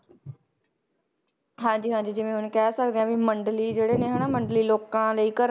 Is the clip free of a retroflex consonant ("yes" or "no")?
no